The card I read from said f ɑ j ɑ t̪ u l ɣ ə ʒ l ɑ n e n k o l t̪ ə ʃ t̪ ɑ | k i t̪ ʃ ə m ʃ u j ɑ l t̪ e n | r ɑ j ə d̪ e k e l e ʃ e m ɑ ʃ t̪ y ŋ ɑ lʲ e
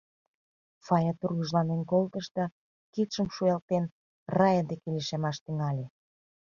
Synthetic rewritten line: f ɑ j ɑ t̪ u r ɣ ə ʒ l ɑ n e n k o l t̪ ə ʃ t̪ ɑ | k i t̪ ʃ ə m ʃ u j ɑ l t̪ e n | r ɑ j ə d̪ e k e l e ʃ e m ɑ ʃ t̪ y ŋ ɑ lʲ e